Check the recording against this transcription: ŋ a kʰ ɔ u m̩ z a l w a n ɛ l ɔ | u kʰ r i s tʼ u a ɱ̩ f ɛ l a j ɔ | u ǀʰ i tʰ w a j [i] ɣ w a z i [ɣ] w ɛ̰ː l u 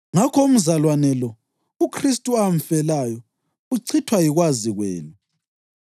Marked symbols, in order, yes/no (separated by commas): yes, yes